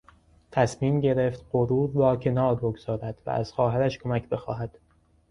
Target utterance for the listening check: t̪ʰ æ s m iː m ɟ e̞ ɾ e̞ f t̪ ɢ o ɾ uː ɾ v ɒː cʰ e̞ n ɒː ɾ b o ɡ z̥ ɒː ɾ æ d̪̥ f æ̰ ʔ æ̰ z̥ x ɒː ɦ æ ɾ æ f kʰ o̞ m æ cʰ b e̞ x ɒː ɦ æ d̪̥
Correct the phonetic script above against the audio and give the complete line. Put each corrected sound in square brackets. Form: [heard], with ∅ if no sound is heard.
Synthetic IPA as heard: t̪ʰ æ s m iː m ɟ e̞ ɾ e̞ f t̪ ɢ o ɾ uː ɾ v ɒː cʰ e̞ n ɒː ɾ b o ɡ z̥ ɒː ɾ æ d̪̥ [v] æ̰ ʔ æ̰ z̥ x ɒː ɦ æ ɾ æ [ʃ] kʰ o̞ m æ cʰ b e̞ x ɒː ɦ æ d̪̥